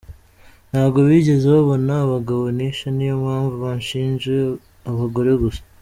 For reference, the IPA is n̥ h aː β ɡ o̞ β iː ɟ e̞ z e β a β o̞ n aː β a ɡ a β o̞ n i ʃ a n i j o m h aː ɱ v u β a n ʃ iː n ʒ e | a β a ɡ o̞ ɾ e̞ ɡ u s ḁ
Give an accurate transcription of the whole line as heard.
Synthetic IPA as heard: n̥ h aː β ɡ o̞ β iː ɟ e̞ z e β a β o̞ n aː β a ɡ a β o̞ n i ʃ a n i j o m h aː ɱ v u β a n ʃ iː n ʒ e | a β a ɡ o̞ ɾ e̞ ɡ u s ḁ